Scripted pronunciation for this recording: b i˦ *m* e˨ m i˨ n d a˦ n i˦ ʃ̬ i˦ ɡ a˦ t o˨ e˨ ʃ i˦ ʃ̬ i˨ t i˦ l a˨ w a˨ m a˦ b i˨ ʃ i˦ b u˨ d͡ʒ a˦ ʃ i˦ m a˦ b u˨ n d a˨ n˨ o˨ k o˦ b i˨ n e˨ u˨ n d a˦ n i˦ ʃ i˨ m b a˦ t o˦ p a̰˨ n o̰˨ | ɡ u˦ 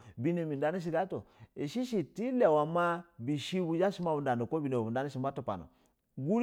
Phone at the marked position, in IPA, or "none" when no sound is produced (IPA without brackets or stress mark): n